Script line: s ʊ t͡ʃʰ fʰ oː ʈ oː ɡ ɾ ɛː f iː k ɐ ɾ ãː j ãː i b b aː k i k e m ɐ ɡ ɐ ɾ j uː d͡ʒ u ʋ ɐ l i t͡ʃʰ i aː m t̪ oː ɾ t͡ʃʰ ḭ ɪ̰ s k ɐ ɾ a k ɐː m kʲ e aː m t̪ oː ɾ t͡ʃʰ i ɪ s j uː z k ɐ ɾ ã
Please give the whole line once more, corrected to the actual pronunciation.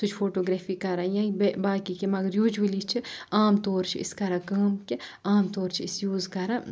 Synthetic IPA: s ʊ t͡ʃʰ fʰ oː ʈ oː ɡ ɾ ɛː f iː k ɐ ɾ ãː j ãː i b b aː k i k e m ɐ ɡ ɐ ɾ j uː d͡ʒ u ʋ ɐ l i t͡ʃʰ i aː m t̪ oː ɾ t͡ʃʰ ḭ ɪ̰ s k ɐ ɾ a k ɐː m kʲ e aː m t̪ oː ɾ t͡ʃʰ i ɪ s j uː z k ɐ ɾ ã